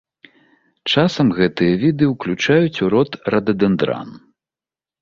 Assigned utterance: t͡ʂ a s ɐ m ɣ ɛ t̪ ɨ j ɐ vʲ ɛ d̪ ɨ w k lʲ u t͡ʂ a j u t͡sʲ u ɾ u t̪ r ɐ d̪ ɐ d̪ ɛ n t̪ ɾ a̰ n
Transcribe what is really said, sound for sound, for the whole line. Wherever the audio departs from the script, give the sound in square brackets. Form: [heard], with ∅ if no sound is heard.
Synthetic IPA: t͡ʂ a s ɐ m ɣ ɛ t̪ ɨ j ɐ vʲ [i] d̪ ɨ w k lʲ u t͡ʂ a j u t͡sʲ u ɾ [ɔ] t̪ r ɐ d̪ ɐ d̪ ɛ n [d̪] ɾ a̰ n